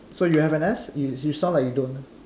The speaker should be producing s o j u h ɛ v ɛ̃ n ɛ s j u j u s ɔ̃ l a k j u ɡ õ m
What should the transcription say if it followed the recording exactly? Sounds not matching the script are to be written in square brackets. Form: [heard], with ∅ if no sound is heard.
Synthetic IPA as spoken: s o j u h ɛ v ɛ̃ n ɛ s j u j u s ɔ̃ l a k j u [d] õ [n]